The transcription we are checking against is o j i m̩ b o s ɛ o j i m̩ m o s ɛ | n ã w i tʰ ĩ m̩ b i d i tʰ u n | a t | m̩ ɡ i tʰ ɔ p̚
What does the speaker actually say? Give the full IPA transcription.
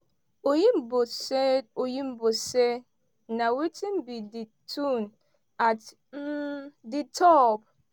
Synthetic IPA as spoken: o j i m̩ b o s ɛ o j i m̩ b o s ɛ | n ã w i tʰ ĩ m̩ b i d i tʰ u n | a t | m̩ d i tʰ ɔ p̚

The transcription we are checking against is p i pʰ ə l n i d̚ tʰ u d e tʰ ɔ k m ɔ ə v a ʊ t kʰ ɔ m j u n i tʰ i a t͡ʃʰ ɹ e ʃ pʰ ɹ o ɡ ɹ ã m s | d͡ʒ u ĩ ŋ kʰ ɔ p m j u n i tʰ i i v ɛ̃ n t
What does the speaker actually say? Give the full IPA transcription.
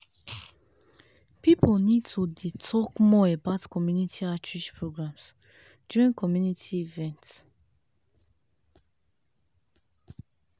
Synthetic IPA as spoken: p i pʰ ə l n i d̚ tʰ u d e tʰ ɔ k m ɔ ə b a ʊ t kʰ ɔ m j u n i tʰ i a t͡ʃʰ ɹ i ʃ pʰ ɹ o ɡ ɹ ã m s | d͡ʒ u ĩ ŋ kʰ ɔ m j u n i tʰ i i v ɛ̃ n t

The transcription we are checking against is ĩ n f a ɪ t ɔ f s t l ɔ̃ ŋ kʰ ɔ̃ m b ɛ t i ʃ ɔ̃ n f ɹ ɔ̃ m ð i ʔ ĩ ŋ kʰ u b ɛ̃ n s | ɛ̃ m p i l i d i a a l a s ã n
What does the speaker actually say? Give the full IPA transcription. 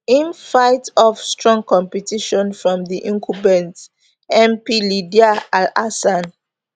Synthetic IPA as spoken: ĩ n f a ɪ t ɔ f s t ɹ ɔ̃ ŋ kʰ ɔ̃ m p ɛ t i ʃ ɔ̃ n f ɹ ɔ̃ m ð i ʔ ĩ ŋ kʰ u b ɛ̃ n t | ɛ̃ m p i l i d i a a l a s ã n

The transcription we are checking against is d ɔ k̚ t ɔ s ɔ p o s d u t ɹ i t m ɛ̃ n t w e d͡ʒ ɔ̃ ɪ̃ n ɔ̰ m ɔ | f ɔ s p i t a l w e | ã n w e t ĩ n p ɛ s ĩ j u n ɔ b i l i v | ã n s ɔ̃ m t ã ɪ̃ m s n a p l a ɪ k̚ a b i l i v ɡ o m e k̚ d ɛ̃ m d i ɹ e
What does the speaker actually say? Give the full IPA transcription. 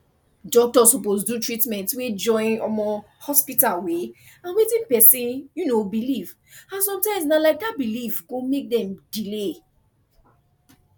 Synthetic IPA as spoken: d ɔ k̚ t ɔ s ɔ p o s d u t ɹ i t m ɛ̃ n t w e d͡ʒ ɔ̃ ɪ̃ n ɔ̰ m ɔ | h ɔ s p i t a l w e | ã n w e t ĩ n p ɛ s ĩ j u n o b i l i v | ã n s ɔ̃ m t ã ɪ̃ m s n a l a ɪ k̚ a b i l i v ɡ o m e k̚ d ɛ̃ m d i l e

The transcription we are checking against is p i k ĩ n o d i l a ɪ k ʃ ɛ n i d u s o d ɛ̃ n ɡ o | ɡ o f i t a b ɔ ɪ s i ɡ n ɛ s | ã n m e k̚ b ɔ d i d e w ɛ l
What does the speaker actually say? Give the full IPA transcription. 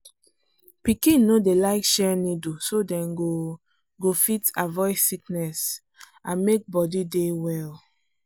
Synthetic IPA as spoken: p i k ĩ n o d e l a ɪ k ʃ ɛ n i d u s o d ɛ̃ n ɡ o | ɡ o f i t a v ɔ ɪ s i k n ɛ s | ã n m e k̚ b ɔ d i d e w ɛ l

